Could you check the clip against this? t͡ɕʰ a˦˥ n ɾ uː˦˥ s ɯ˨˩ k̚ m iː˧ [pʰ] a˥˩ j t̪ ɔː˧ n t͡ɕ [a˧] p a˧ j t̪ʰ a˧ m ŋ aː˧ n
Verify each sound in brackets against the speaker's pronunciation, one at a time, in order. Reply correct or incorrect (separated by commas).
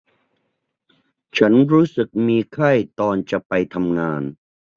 incorrect, incorrect